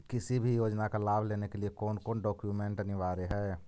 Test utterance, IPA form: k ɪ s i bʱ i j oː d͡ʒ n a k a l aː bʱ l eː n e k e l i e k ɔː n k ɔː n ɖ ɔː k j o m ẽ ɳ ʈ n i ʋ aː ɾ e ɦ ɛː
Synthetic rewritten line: k ɪ s i bʱ i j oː d͡ʒ n a k a l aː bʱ l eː n e k e l i e k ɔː n k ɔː n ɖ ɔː k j u m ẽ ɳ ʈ n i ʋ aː ɾ e ɦ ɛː